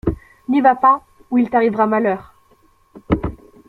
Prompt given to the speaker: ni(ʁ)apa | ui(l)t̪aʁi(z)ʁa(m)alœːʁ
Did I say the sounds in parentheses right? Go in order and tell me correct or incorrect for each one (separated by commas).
incorrect, correct, incorrect, correct